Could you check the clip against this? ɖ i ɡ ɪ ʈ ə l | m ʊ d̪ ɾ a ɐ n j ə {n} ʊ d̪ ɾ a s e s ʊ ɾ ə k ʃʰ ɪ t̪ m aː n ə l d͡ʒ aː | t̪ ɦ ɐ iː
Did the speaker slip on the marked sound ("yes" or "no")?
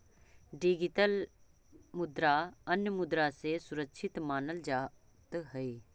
yes